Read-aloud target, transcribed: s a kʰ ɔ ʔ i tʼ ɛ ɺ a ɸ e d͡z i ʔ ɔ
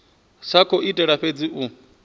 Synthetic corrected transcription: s a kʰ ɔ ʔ i tʼ ɛ ɺ a ɸ e d͡z i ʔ u